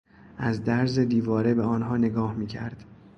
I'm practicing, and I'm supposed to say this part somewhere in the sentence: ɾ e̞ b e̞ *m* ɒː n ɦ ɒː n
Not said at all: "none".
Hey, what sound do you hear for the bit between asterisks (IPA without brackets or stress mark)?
none